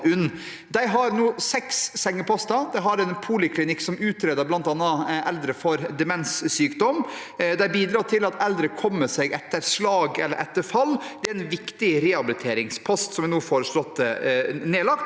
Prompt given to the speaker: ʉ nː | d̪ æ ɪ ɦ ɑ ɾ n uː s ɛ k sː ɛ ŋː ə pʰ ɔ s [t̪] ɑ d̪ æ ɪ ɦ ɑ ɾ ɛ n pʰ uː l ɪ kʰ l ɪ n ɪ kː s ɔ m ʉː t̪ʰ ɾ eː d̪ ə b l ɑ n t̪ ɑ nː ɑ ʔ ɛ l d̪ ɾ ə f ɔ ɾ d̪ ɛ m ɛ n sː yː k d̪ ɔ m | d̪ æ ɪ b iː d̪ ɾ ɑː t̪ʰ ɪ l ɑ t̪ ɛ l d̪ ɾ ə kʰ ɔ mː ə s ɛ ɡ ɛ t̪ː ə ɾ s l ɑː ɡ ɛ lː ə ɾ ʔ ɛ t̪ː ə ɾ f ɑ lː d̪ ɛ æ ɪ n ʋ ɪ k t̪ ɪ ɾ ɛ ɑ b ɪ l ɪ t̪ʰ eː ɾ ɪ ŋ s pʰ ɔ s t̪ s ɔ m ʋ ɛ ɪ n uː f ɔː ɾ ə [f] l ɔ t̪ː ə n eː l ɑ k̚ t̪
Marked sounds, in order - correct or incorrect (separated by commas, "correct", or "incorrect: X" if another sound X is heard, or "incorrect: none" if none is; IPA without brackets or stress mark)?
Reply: correct, incorrect: ʂ